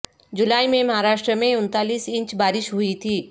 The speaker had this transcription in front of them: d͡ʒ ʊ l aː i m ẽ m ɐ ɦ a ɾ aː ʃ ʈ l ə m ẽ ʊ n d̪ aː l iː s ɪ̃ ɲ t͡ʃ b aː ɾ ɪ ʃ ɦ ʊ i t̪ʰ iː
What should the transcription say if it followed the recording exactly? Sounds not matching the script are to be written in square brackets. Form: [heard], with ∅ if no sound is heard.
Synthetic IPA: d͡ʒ ʊ l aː i m ẽ m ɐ ɦ a ɾ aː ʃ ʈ [ɾ] ə m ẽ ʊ n [t̪] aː l iː s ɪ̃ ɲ t͡ʃ b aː ɾ ɪ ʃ ɦ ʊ i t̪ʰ iː